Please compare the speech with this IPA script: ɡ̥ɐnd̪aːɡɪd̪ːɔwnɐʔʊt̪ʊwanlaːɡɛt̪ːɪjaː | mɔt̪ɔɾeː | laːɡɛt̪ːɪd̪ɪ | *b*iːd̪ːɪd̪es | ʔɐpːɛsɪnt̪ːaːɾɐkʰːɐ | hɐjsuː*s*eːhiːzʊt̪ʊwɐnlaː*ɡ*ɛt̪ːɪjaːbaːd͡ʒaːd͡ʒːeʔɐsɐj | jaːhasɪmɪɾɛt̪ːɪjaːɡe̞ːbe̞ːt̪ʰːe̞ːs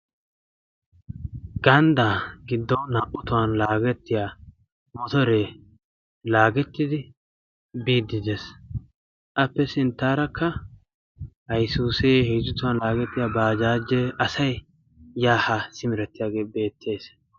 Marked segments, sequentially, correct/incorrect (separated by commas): correct, correct, correct